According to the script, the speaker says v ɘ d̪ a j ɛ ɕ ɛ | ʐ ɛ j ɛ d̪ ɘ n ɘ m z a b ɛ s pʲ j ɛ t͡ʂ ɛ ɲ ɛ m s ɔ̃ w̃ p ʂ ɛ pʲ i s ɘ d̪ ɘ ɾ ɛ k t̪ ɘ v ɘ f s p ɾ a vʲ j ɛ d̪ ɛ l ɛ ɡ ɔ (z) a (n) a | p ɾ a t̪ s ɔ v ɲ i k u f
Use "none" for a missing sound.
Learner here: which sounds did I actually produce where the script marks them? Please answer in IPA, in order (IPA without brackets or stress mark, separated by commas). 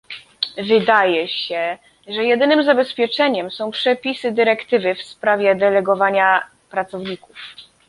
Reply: v, ɲ